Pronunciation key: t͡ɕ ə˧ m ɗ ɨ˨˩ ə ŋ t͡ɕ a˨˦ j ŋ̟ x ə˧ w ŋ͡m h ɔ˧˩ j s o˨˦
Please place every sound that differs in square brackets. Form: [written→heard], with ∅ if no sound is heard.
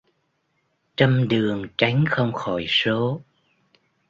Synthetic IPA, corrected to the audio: t͡ɕ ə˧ m ɗ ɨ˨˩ ə ŋ t͡ɕ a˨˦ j ŋ̟ x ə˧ w ŋ͡m [h→x] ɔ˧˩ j s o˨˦